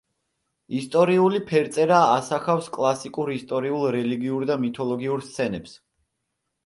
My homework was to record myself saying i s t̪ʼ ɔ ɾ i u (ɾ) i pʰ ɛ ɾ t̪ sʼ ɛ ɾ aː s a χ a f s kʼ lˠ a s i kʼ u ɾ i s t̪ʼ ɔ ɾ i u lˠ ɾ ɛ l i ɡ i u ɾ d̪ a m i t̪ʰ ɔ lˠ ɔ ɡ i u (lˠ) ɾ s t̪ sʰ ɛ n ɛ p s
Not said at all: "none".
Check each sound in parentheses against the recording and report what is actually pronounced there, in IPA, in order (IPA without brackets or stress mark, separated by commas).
l, none